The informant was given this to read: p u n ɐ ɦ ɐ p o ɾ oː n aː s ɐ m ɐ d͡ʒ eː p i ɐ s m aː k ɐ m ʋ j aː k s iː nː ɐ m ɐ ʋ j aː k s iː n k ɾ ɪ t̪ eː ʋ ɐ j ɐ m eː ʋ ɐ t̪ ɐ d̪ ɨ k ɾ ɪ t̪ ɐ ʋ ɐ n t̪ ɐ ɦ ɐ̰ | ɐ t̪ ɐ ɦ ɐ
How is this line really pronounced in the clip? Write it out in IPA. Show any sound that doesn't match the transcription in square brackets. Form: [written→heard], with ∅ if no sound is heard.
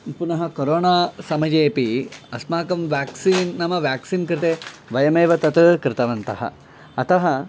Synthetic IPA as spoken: p u n ɐ ɦ ɐ [p→k] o ɾ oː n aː s ɐ m ɐ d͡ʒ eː p i ɐ s m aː k ɐ m ʋ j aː k s iː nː ɐ m ɐ ʋ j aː k s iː n k ɾ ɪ t̪ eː ʋ ɐ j ɐ m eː ʋ ɐ t̪ ɐ [d̪→t̪] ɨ k ɾ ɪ t̪ ɐ ʋ ɐ n t̪ ɐ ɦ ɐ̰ | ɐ t̪ ɐ ɦ ɐ

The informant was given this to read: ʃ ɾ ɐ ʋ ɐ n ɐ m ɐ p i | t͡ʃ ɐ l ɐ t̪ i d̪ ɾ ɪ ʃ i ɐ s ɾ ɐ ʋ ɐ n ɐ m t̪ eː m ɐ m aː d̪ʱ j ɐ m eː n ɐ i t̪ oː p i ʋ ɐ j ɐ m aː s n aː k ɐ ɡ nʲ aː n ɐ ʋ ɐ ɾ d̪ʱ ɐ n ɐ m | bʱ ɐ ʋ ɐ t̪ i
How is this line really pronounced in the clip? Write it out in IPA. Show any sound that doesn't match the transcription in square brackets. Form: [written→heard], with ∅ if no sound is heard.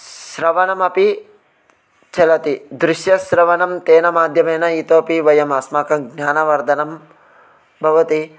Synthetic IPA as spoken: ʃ ɾ ɐ ʋ ɐ n ɐ m ɐ p i | t͡ʃ ɐ l ɐ t̪ i d̪ ɾ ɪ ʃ [i→j] ɐ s ɾ ɐ ʋ ɐ n ɐ m t̪ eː [m→n] ɐ m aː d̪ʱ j ɐ m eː n ɐ i t̪ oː p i ʋ ɐ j ɐ m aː s [n→m] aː k ɐ ɡ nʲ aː n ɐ ʋ ɐ ɾ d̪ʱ ɐ n ɐ m | bʱ ɐ ʋ ɐ t̪ i

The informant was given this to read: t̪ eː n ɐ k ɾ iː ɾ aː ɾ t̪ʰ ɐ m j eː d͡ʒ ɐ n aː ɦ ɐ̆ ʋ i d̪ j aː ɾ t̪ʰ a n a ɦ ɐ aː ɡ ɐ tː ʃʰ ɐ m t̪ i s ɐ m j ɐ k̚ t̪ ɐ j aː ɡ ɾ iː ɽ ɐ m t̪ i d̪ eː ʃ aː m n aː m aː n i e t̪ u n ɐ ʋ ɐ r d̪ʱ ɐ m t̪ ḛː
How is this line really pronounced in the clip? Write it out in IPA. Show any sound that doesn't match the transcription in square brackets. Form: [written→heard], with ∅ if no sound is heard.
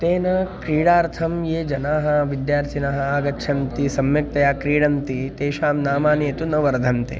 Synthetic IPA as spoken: t̪ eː n ɐ k ɾ iː [ɾ→ɽ] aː ɾ t̪ʰ ɐ m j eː d͡ʒ ɐ n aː ɦ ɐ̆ ʋ i d̪ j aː ɾ t̪ʰ [a→i] n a ɦ ɐ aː ɡ ɐ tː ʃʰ ɐ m t̪ i s ɐ m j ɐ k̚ t̪ ɐ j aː [ɡ→k] ɾ iː ɽ ɐ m t̪ i [d̪→t̪] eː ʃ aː m n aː m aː n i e t̪ u n ɐ ʋ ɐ [r→ɾ] d̪ʱ ɐ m t̪ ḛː

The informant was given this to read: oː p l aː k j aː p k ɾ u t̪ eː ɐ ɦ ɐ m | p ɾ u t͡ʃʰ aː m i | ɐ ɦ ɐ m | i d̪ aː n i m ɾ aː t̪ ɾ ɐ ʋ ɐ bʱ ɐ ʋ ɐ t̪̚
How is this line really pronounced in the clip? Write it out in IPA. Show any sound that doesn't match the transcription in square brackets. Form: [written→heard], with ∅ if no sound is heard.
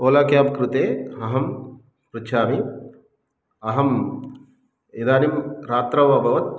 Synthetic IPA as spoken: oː [p→∅] l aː k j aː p k ɾ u t̪ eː ɐ ɦ ɐ m | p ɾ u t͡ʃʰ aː m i | ɐ ɦ ɐ m | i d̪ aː n i m ɾ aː t̪ ɾ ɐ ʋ ɐ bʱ ɐ ʋ ɐ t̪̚

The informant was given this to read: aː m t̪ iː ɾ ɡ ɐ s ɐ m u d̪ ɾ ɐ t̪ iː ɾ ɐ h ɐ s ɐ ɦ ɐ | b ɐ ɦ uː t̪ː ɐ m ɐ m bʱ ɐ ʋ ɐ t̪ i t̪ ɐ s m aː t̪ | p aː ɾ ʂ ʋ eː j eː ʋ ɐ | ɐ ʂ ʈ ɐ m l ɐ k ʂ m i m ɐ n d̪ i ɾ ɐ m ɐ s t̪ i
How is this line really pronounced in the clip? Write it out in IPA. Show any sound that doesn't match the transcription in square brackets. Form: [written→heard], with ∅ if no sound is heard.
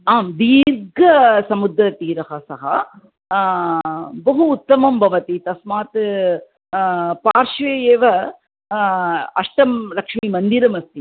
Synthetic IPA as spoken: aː m [t̪→d̪] iː ɾ ɡ ɐ s ɐ m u d̪ ɾ ɐ t̪ iː ɾ ɐ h ɐ s ɐ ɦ ɐ | b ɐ ɦ uː t̪ː ɐ m ɐ m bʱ ɐ ʋ ɐ t̪ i t̪ ɐ s m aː t̪ | p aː ɾ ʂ ʋ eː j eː ʋ ɐ | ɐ ʂ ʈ ɐ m l ɐ k ʂ m i m ɐ n d̪ i ɾ ɐ m ɐ s t̪ i

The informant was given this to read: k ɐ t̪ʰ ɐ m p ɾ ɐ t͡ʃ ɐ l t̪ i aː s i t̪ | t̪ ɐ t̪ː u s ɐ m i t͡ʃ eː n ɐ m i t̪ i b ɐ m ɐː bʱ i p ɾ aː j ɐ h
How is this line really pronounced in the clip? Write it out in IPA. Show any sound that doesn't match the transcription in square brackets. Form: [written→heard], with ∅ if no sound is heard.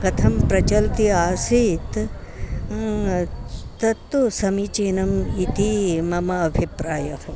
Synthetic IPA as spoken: k ɐ t̪ʰ ɐ m p ɾ ɐ t͡ʃ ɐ l t̪ i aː s i t̪ | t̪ ɐ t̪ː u s ɐ m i t͡ʃ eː n ɐ m i t̪ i [b→m] ɐ m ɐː bʱ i p ɾ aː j ɐ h

